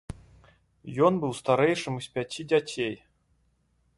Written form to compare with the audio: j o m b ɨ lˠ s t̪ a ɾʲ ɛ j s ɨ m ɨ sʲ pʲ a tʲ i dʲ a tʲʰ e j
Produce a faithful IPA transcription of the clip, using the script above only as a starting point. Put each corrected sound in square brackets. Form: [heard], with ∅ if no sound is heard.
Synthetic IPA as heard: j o [n] b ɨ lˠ s t̪ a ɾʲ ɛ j [ʂ] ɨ m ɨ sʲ pʲ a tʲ i dʲ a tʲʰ e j

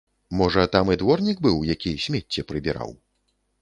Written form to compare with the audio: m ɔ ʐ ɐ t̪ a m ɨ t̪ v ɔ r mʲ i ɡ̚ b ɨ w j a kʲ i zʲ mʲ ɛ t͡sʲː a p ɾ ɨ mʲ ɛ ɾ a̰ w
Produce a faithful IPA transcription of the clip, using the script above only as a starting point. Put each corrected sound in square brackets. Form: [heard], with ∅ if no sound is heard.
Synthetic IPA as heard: m ɔ ʐ ɐ t̪ a m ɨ [d̪] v ɔ r [nʲ] i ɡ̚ b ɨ w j a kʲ i [sʲ] mʲ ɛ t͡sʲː [ɛ] p ɾ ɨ [bʲ] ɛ ɾ a̰ w

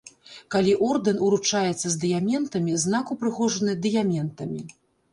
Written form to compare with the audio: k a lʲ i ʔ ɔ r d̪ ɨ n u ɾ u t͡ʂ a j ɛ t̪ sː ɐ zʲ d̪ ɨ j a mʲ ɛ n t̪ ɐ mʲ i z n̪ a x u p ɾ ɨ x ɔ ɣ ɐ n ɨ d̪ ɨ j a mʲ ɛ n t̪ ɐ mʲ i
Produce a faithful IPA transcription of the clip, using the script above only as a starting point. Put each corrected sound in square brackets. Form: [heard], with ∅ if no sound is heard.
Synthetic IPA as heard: k a lʲ i ʔ ɔ r d̪ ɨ n u ɾ u t͡ʂ a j ɛ t̪ sː ɐ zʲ d̪ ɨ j a mʲ ɛ n t̪ ɐ mʲ i z n̪ a [k] u p ɾ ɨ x ɔ [ʐ] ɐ n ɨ d̪ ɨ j a mʲ ɛ n t̪ ɐ mʲ i

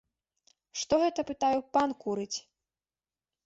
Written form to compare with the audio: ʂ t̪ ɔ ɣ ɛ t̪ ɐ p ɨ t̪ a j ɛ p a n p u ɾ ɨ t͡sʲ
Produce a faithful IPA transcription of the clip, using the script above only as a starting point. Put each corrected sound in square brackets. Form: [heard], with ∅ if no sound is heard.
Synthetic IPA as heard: ʂ t̪ ɔ ɣ ɛ t̪ ɐ p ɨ t̪ a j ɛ p a n [k] u ɾ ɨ t͡sʲ

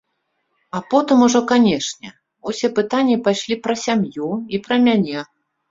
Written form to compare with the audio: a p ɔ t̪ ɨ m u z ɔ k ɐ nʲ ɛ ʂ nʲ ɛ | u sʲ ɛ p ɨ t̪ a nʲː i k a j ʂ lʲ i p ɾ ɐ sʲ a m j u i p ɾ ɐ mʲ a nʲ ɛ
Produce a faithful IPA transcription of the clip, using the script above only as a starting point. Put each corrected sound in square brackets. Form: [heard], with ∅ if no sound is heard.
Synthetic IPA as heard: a p ɔ t̪ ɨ m u [ʐ] ɔ k [a] nʲ ɛ ʂ nʲ ɛ | u sʲ ɛ p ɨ t̪ a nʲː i [p] a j ʂ lʲ i p ɾ ɐ sʲ a m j u i p ɾ ɐ mʲ a nʲ ɛ

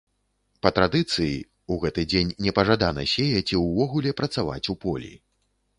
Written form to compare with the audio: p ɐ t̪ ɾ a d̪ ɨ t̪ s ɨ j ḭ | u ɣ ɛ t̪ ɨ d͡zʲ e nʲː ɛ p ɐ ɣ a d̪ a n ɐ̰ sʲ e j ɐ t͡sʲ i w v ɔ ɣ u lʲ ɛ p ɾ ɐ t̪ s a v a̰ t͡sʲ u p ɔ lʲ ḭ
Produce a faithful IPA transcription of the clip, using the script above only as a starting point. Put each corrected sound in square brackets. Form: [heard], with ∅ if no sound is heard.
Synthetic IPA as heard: p ɐ t̪ ɾ a d̪ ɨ t̪ s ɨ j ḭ | u ɣ ɛ t̪ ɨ d͡zʲ e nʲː ɛ p ɐ [ʐ] a d̪ a n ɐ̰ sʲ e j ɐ t͡sʲ i w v ɔ ɣ u lʲ ɛ p ɾ ɐ t̪ s a v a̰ t͡sʲ u p ɔ lʲ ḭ

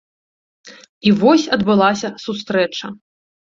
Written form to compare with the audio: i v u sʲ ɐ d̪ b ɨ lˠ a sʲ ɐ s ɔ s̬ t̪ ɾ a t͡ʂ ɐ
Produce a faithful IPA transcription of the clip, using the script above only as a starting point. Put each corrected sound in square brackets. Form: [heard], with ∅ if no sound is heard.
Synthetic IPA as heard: i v [ɔ] sʲ ɐ d̪ b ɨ lˠ a sʲ ɐ s [u] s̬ t̪ ɾ [ɛ] t͡ʂ ɐ

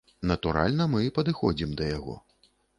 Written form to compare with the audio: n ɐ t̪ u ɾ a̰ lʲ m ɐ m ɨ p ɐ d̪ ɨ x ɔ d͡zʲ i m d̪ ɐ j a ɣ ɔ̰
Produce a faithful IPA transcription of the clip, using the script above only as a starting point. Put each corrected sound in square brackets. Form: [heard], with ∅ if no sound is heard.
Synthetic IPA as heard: n ɐ t̪ u ɾ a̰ lʲ [n] ɐ m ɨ p ɐ d̪ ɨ x ɔ d͡zʲ i m d̪ ɐ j a ɣ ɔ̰

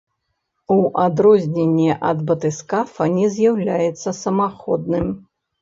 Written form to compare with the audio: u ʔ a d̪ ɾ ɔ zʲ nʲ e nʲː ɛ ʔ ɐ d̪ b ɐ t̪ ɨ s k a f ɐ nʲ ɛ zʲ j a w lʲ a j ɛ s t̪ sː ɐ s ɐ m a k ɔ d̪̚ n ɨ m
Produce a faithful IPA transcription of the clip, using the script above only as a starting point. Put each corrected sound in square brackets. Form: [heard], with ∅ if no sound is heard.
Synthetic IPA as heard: u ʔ a d̪ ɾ ɔ zʲ nʲ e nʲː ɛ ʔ ɐ d̪ b ɐ t̪ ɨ s k a f ɐ nʲ ɛ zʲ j a w lʲ a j ɛ [∅] t̪ sː ɐ s ɐ m a [x] ɔ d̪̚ n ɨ m

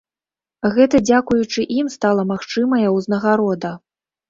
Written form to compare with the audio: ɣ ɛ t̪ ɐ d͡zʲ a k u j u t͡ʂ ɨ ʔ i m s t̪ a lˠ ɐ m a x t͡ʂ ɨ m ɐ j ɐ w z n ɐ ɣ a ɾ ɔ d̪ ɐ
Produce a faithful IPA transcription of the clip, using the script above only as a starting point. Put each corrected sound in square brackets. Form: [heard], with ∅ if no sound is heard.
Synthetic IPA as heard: ɣ ɛ t̪ ɐ d͡zʲ a k u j u t͡ʂ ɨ ʔ i m s t̪ a lˠ ɐ m a x t͡ʂ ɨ m ɐ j ɐ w z n ɐ ɣ a ɾ ɔ d̪ ɐ

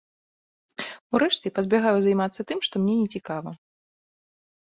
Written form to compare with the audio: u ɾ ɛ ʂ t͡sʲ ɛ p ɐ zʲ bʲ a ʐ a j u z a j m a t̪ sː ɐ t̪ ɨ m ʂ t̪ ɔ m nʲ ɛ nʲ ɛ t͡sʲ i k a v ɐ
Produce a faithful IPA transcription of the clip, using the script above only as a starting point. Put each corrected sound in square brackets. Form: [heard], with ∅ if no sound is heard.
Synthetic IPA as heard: u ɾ ɛ ʂ t͡sʲ ɛ p ɐ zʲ bʲ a [ɣ] a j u z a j m a t̪ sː ɐ t̪ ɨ m ʂ t̪ ɔ m nʲ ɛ nʲ ɛ t͡sʲ i k a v ɐ

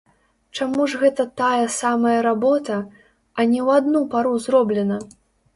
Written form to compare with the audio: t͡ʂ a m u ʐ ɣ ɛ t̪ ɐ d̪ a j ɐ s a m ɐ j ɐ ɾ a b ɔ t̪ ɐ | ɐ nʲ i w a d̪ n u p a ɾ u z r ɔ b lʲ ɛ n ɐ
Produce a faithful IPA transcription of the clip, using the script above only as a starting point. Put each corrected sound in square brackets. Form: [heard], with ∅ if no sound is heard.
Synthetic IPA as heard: t͡ʂ a m u ʐ ɣ ɛ t̪ ɐ [t̪] a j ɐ s a m ɐ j ɐ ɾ a b ɔ t̪ ɐ | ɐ nʲ [ɛ] w a d̪ n u p a ɾ u z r ɔ b lʲ ɛ n ɐ

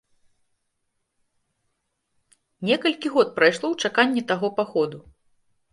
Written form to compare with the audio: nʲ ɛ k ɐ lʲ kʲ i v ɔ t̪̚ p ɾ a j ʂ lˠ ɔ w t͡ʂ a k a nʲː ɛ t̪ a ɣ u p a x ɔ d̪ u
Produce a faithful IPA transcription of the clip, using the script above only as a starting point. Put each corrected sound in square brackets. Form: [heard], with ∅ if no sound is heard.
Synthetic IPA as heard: nʲ ɛ k ɐ lʲ kʲ i [ɣ] ɔ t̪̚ p ɾ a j ʂ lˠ ɔ w t͡ʂ a k a nʲː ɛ t̪ a ɣ [ɔ] p a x ɔ d̪ u

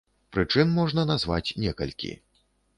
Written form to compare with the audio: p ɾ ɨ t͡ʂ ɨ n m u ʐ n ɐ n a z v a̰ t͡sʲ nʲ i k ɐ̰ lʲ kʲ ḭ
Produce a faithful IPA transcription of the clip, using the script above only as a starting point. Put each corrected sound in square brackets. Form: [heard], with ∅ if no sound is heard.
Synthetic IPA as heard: p ɾ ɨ t͡ʂ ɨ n m [ɔ] ʐ n ɐ n a z v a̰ t͡sʲ nʲ [ɛ] k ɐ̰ lʲ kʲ ḭ

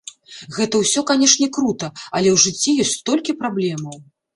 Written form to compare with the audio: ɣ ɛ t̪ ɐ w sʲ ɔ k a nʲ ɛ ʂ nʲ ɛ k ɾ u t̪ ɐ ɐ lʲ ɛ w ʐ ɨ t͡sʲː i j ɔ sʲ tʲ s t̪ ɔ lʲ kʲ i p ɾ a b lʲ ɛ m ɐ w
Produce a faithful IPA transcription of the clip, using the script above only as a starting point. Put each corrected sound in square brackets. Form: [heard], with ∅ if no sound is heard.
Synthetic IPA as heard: ɣ ɛ t̪ ɐ w sʲ ɔ k a nʲ ɛ ʂ nʲ ɛ k ɾ u t̪ ɐ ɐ lʲ ɛ w ʐ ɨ t͡sʲː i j ɔ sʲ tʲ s t̪ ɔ lʲ kʲ i p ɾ a b lʲ ɛ m ɐ w

